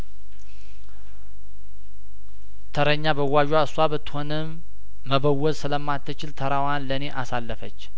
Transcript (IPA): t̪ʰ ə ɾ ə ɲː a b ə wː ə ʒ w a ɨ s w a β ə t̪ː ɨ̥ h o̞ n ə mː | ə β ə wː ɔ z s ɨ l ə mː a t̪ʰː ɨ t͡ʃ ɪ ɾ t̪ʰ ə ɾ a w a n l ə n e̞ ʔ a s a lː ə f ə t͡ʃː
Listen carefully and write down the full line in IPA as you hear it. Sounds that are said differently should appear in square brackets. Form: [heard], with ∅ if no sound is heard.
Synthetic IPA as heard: t̪ʰ ə ɾ ə ɲː a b ə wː [a] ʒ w a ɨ s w a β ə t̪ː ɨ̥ h o̞ n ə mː | ə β ə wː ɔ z s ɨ l ə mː a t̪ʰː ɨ t͡ʃ ɪ [l] t̪ʰ ə ɾ a w a n l ə n e̞ ʔ a s a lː ə f ə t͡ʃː